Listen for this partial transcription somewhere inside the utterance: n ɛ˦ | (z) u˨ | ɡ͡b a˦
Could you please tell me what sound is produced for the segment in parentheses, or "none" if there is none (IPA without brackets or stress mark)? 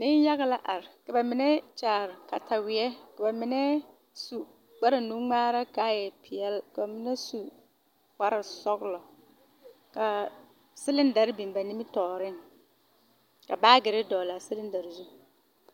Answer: s